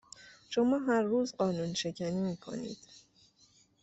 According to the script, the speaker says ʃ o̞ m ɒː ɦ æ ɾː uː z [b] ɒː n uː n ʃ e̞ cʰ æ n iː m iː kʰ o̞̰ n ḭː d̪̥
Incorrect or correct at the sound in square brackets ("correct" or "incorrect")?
incorrect